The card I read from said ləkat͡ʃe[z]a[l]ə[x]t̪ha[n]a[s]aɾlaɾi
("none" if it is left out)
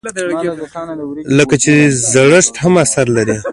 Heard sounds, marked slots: z, ɽ, ʂ, m, s

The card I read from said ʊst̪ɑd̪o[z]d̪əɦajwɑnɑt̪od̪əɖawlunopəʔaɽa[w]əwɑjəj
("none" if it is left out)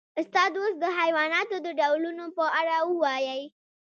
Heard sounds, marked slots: s, w

